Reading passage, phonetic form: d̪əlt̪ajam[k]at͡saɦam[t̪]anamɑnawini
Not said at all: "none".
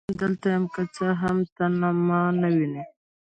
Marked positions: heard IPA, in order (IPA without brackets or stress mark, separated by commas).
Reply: k, t̪